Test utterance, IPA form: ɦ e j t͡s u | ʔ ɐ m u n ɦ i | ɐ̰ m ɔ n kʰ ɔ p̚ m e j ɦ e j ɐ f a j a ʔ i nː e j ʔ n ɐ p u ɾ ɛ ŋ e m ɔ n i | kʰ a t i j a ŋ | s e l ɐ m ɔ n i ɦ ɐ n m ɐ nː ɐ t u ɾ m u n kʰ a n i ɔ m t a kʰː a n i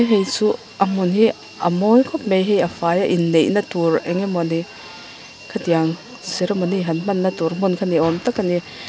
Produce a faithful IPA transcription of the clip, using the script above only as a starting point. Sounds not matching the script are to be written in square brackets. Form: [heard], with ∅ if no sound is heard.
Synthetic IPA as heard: ɦ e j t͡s u | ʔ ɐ m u n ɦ i | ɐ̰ m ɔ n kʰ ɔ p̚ m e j ɦ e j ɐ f a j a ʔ i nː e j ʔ n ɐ [t] u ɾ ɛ ŋ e m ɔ n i | kʰ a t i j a ŋ | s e [ɾ] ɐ m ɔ n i ɦ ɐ n m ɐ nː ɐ t u ɾ m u n kʰ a n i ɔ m t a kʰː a n i